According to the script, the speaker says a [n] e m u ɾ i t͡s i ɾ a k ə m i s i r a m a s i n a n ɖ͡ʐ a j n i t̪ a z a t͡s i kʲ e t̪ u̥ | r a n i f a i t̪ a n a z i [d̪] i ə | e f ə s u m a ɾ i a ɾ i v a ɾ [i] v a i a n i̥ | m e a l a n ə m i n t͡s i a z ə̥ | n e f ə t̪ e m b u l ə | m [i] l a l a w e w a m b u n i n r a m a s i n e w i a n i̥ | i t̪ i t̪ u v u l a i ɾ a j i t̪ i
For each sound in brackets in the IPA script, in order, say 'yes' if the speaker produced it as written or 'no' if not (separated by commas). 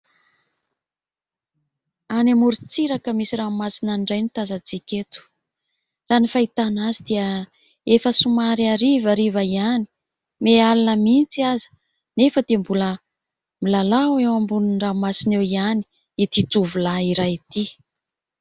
yes, yes, yes, yes